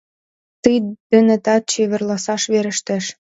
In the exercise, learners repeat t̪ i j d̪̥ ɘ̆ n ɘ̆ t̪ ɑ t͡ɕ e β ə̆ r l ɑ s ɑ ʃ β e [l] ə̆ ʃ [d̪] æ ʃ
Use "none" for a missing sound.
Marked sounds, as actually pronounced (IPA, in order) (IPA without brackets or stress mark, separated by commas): ɾ, t̪